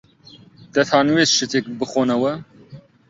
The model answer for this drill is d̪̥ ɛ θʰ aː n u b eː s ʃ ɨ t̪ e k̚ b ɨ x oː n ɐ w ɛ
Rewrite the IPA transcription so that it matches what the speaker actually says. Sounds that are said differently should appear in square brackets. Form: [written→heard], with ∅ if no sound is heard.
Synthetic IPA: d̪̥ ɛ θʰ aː n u [b→w] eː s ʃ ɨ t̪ e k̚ b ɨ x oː n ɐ w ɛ